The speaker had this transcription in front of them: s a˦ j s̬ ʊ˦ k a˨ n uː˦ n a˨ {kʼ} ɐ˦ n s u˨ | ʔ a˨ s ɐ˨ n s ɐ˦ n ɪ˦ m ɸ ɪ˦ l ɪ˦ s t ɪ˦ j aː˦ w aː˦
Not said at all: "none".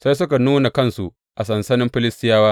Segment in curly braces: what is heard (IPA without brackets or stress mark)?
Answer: k